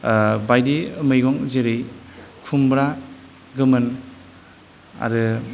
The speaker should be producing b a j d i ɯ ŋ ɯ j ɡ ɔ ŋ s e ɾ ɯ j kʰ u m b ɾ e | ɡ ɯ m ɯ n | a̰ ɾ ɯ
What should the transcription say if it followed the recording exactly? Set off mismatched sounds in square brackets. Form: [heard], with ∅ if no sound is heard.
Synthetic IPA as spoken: b a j d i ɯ [m] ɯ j ɡ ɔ ŋ [z] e ɾ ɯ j kʰ u m b ɾ [a] | ɡ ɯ m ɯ n | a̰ ɾ ɯ